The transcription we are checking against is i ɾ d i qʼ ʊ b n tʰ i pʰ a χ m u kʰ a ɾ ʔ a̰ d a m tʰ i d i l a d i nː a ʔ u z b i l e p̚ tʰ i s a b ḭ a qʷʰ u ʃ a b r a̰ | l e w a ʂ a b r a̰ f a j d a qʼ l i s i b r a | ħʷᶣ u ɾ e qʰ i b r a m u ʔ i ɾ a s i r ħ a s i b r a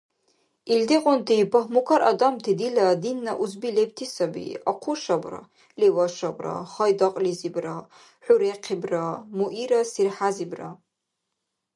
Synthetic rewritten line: i l d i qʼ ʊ n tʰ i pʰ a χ m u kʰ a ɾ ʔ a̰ d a m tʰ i d i l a d i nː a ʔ u z b i l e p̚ tʰ i s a b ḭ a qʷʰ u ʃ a b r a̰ | l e w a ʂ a b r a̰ χ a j d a qʼ l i z i b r a | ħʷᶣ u ɾ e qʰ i b r a m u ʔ i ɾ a s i r ħ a z i b r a